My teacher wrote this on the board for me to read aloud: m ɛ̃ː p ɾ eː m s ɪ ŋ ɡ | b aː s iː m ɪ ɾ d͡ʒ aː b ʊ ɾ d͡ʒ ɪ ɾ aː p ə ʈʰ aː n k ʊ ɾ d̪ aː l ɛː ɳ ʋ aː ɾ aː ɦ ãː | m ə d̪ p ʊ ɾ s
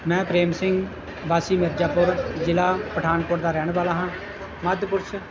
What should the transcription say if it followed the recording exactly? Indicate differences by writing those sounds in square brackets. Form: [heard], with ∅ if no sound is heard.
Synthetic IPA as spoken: m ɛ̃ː p ɾ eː m s ɪ ŋ ɡ | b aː s iː m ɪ ɾ d͡ʒ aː [p] ʊ ɾ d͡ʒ ɪ [l] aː p ə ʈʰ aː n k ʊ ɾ d̪ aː [ɾ] ɛː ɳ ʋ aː [l] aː ɦ ãː | m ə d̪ p ʊ ɾ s